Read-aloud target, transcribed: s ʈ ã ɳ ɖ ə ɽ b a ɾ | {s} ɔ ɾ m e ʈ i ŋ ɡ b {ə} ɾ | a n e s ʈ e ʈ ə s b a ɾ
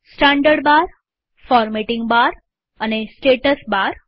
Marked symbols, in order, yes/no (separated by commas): no, no